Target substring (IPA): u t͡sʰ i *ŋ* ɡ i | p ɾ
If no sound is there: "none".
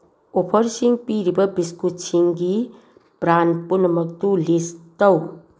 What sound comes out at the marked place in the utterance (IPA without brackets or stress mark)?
ŋ